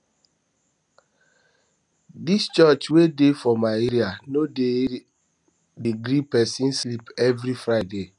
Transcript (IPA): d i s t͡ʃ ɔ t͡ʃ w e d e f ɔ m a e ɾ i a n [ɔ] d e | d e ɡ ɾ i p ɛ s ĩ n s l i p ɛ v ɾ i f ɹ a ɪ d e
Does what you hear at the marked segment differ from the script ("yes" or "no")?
yes